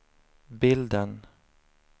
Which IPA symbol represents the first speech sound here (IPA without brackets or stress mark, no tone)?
b